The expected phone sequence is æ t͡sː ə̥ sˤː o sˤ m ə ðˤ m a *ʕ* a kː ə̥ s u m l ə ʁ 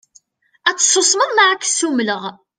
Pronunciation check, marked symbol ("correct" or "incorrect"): correct